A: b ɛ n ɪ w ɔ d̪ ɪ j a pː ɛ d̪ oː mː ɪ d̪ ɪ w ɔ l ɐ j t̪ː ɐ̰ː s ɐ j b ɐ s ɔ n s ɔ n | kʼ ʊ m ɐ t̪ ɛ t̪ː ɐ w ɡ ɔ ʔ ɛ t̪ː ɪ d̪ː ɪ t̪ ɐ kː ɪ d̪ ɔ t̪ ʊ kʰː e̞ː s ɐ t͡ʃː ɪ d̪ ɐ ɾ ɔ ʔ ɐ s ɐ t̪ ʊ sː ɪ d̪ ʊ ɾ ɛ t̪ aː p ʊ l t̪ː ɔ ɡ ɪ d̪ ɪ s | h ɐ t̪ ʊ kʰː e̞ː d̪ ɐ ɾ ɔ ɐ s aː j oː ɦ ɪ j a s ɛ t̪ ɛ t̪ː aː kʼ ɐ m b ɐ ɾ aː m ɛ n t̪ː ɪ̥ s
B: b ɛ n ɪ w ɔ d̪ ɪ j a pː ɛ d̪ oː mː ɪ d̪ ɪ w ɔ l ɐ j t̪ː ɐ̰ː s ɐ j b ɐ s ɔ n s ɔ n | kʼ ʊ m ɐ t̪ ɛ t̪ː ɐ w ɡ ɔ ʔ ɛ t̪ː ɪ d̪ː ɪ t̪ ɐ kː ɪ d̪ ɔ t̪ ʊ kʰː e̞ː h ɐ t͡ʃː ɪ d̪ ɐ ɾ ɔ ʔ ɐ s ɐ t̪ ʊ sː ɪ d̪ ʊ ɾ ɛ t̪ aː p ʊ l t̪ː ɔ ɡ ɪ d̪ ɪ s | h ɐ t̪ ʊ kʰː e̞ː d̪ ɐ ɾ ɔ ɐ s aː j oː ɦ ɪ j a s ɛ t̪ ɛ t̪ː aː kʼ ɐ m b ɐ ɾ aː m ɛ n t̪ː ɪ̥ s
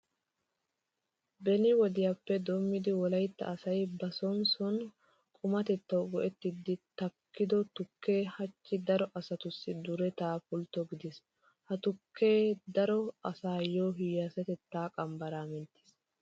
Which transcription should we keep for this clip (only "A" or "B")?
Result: B